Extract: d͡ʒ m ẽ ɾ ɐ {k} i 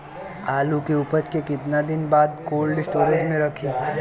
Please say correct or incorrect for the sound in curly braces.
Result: incorrect